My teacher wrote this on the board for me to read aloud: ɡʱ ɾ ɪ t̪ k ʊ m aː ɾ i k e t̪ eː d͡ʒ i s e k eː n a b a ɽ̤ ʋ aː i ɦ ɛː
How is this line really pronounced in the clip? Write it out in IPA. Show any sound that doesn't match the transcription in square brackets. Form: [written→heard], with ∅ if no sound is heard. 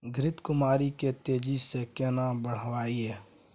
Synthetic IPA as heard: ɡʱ ɾ ɪ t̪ k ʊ m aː ɾ i k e t̪ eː d͡ʒ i s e k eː n a b [a→ə] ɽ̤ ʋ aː i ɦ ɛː